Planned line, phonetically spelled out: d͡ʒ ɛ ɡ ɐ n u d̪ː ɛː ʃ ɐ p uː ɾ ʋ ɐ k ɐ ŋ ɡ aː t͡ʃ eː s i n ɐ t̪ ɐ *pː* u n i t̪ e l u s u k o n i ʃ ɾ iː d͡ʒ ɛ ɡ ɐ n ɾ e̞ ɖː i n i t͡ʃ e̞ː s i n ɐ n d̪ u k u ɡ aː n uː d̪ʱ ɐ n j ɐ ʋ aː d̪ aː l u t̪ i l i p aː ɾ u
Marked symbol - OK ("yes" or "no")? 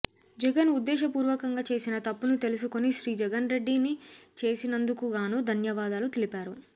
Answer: yes